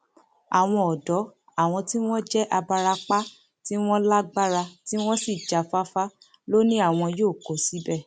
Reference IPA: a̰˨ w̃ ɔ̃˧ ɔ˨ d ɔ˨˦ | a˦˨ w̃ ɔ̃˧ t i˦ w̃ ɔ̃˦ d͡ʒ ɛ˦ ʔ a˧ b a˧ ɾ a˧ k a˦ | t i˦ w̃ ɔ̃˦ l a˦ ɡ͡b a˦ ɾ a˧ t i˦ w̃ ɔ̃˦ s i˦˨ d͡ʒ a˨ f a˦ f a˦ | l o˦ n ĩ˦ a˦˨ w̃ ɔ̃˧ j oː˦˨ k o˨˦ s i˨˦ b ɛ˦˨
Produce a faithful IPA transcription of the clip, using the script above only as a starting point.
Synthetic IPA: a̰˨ w̃ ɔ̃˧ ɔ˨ d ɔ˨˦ | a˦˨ w̃ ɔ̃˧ t i˦ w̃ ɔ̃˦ d͡ʒ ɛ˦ ʔ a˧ b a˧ ɾ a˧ k͡p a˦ | t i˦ w̃ ɔ̃˦ l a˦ ɡ͡b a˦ ɾ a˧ t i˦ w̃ ɔ̃˦ s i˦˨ d͡ʒ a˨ f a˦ f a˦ | l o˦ n ĩ˦ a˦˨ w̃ ɔ̃˧ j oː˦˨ k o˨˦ s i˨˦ b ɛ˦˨